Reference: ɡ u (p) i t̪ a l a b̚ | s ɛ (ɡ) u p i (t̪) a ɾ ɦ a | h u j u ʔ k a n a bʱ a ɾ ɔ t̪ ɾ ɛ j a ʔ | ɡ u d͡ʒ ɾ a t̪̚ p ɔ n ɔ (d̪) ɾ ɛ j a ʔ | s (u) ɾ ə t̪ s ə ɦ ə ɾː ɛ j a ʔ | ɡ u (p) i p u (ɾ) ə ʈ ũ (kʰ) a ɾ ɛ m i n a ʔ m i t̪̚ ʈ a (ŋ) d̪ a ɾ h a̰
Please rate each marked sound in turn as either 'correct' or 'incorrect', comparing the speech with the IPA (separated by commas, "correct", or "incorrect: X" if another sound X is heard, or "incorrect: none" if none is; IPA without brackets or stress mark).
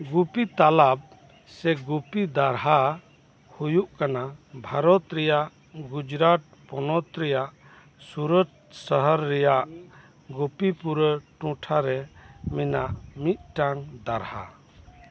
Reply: correct, correct, incorrect: d̪, incorrect: t̪, correct, correct, correct, incorrect: ʈʰ, correct